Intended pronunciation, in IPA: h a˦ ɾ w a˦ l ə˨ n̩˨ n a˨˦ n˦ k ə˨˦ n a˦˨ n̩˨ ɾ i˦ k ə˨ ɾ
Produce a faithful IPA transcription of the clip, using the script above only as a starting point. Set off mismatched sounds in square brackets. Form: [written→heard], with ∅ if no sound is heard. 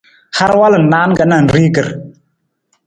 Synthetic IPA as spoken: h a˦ ɾ w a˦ l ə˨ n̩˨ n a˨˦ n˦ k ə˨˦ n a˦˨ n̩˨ ɾ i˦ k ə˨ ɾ